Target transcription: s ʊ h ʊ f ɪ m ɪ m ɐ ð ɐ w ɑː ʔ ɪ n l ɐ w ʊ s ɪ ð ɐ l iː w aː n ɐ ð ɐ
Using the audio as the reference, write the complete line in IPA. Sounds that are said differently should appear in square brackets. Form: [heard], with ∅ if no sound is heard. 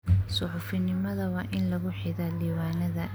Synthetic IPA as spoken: s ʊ [ħ] ʊ f ɪ [n] ɪ m ɐ ð ɐ w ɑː ʔ ɪ n l ɐ [ɣ] ʊ [ħ] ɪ ð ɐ l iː w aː n ɐ ð ɐ